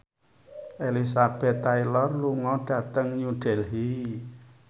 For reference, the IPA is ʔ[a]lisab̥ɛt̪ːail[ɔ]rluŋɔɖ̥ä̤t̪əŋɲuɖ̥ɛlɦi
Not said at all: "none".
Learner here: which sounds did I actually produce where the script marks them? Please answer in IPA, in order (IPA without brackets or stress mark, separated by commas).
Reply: e, ɔ